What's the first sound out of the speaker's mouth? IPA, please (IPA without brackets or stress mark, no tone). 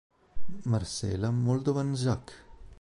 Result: m